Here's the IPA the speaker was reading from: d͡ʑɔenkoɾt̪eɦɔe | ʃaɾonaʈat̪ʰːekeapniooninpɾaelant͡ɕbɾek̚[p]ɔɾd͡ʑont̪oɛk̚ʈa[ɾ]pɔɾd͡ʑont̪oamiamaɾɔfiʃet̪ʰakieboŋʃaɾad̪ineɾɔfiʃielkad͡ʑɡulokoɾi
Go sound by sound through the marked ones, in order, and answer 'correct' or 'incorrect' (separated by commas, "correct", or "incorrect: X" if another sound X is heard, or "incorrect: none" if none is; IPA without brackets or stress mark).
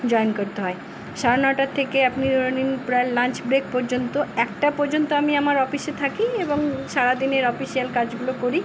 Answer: correct, incorrect: none